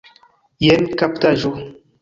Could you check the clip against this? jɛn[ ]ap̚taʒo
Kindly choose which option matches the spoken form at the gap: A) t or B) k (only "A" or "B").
B